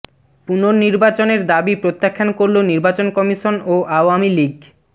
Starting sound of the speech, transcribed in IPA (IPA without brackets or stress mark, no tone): p